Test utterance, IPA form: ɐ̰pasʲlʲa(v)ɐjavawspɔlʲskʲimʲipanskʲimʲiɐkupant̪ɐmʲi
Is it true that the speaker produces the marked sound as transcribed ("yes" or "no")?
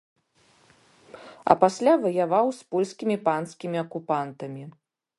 yes